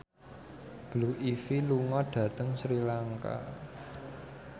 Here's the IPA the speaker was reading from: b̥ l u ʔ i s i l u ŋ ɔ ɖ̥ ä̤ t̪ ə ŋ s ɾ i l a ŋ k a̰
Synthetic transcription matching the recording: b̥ l u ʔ i f i l u ŋ ɔ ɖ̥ ä̤ t̪ ə ŋ s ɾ i l a ŋ k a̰